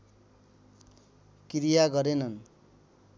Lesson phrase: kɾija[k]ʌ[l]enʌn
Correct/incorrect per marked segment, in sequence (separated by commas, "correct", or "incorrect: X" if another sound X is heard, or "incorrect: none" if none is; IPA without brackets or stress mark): incorrect: ɡ, incorrect: ɾ